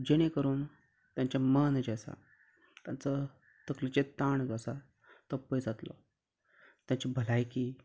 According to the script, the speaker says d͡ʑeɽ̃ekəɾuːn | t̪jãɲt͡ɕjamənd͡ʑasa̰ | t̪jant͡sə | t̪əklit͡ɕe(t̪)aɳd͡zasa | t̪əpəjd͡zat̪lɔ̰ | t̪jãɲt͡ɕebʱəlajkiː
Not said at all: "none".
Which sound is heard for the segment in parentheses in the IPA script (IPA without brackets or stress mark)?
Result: t̪